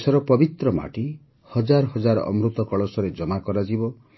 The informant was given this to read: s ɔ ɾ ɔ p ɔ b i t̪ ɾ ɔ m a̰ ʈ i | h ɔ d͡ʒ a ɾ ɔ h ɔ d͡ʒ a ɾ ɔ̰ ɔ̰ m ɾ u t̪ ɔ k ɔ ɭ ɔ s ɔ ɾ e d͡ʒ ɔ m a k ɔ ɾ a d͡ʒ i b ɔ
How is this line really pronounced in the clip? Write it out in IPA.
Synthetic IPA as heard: s ɔ ɾ ɔ p ɔ b i t̪ ɾ ɔ m a̰ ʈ i | h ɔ d͡ʒ a ɾ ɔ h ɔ d͡ʒ a ɾ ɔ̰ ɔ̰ m ɾ u t̪ ɔ k ɔ ɭ ɔ s ɔ ɾ e d͡ʒ ɔ m a k ɔ ɾ a d͡ʒ i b ɔ